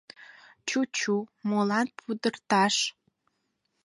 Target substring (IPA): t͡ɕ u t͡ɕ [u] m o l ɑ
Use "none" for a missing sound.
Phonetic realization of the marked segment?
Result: u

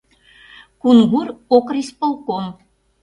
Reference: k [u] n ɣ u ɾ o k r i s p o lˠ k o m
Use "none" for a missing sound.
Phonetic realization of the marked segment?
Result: u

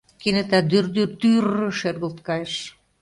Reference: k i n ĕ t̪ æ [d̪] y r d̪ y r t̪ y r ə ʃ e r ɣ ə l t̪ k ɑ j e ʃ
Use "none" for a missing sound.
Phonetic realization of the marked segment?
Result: d̪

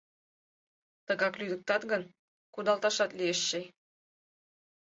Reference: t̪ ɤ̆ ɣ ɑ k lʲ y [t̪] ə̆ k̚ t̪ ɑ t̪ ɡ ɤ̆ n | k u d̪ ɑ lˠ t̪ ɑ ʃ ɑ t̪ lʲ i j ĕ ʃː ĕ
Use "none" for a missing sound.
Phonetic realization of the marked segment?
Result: d̪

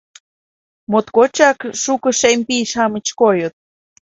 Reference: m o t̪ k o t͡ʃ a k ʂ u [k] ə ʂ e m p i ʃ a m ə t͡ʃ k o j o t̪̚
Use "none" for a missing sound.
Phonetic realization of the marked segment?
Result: k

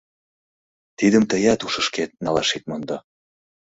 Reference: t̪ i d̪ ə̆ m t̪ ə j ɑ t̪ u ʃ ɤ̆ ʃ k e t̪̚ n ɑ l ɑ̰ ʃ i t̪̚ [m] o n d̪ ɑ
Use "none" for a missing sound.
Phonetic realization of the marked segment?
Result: m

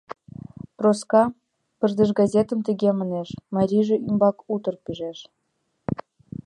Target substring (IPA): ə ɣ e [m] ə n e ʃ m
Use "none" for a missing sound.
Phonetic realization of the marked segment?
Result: m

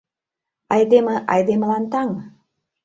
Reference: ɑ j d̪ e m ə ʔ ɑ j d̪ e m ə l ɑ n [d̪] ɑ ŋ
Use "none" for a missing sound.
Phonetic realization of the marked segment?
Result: t̪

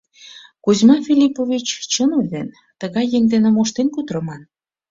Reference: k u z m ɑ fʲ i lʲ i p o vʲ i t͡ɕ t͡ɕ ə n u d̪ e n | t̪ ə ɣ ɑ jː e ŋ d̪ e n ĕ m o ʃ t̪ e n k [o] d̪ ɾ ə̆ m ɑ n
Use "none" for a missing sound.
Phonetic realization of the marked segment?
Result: u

